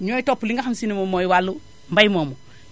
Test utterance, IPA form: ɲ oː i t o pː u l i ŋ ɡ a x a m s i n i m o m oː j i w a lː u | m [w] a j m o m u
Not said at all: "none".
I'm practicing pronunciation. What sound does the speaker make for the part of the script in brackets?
b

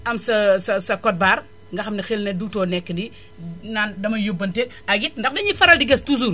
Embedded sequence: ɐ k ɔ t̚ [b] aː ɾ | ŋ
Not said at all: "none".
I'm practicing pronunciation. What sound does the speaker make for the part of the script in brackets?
b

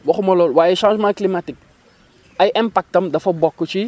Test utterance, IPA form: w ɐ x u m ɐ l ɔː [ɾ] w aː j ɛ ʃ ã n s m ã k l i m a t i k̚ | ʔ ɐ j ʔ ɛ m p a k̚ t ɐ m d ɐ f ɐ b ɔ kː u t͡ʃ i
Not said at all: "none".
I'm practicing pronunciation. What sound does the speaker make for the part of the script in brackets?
l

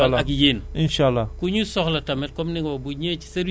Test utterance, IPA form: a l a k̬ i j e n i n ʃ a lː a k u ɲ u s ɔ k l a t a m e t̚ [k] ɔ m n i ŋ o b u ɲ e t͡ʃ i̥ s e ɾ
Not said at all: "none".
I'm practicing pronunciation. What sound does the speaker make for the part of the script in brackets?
k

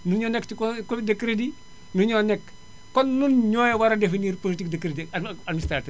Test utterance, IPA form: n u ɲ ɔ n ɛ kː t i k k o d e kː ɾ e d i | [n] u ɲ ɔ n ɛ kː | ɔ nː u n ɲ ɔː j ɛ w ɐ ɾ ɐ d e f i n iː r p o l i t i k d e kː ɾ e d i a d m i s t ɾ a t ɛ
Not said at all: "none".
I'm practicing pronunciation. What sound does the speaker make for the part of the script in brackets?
n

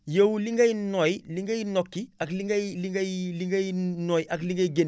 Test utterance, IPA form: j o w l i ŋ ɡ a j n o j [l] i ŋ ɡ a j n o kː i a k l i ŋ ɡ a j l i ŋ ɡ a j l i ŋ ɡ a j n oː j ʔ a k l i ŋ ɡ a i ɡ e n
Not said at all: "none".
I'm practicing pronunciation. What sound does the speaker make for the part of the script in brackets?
l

